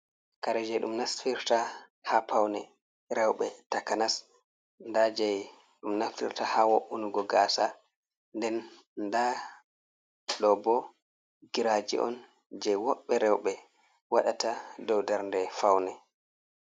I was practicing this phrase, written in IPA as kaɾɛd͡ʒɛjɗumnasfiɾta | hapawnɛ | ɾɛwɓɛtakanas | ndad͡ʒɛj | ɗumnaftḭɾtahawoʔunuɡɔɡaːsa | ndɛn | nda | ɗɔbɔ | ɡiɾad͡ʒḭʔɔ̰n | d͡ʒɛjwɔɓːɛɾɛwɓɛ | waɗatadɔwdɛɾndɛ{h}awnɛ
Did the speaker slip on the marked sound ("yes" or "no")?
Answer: yes